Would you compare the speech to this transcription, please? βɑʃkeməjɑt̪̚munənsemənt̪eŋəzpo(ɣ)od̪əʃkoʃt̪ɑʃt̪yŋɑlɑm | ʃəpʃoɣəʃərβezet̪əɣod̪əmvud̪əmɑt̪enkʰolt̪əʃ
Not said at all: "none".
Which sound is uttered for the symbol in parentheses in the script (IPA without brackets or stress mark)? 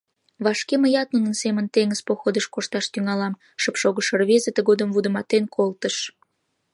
x